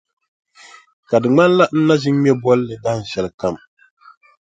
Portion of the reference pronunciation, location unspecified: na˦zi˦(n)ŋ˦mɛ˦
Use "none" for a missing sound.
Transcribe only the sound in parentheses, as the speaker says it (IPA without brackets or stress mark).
none